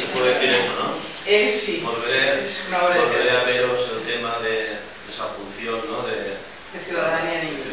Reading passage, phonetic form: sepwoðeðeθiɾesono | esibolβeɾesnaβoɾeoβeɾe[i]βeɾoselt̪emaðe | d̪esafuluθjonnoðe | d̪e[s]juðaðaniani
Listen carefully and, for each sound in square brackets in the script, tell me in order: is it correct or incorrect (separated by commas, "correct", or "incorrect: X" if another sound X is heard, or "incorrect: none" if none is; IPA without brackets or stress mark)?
incorrect: a, incorrect: θ